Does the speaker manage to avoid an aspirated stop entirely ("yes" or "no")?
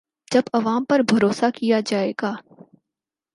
yes